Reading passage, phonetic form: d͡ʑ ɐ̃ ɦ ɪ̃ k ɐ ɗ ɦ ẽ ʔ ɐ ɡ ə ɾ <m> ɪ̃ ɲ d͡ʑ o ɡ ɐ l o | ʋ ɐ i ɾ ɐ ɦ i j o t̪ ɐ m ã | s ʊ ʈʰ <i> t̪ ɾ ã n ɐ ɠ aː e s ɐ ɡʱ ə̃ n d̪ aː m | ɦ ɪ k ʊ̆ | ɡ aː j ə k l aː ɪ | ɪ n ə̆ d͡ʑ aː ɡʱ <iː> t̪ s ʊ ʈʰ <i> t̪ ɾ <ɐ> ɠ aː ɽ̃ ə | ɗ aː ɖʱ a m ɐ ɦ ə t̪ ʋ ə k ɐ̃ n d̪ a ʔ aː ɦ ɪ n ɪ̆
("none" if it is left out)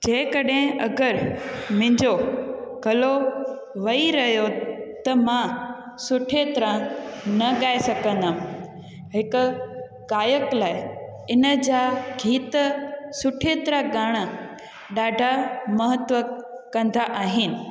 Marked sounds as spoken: m, e, iː, e, a

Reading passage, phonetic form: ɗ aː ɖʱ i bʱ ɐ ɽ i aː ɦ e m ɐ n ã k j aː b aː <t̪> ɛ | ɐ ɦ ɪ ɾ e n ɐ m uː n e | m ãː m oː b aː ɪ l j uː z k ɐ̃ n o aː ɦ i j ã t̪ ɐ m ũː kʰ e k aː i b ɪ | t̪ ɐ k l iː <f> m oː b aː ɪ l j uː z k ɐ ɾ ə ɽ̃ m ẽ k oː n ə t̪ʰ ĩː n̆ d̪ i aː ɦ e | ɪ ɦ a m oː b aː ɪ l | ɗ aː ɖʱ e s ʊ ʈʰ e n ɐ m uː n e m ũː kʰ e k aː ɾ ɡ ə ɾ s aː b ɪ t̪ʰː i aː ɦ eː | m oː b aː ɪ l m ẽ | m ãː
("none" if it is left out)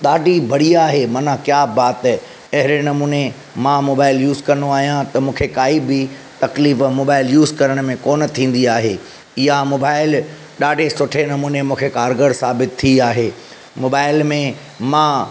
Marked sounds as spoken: t̪, f

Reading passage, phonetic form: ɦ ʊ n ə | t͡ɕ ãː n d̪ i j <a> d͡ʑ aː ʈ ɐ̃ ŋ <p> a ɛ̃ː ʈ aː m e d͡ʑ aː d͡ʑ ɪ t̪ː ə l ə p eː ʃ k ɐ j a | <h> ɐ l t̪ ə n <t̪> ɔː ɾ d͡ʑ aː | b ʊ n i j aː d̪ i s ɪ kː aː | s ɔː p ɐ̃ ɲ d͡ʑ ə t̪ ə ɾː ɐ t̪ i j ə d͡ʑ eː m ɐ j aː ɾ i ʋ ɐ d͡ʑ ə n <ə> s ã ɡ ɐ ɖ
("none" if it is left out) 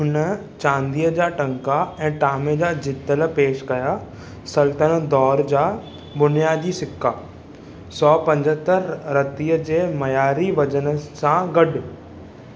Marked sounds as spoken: ə, k, s, d̪, ə

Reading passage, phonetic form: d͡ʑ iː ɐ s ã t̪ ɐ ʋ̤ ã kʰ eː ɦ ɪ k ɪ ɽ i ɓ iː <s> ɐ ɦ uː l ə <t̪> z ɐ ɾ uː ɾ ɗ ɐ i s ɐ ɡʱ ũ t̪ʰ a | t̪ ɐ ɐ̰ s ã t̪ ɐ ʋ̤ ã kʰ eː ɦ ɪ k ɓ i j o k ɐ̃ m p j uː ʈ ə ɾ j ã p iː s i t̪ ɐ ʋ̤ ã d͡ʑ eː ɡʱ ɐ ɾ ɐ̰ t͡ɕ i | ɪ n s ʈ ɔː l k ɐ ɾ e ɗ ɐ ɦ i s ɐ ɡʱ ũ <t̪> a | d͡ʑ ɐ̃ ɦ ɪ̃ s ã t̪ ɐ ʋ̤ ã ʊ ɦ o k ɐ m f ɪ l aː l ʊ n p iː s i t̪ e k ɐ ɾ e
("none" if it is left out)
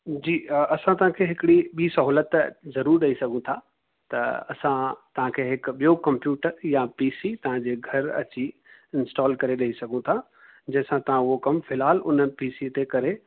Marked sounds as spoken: s, t̪, t̪ʰ

